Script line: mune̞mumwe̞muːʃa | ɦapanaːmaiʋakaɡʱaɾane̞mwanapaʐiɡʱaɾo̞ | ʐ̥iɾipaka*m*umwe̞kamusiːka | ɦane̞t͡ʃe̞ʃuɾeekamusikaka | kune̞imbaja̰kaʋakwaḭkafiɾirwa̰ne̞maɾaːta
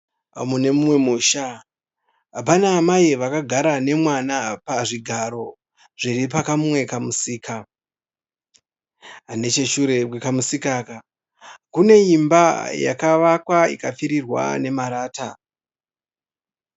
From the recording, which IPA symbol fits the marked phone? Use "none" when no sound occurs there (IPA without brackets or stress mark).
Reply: m